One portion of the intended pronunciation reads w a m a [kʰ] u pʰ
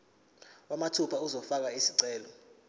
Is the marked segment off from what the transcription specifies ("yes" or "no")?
yes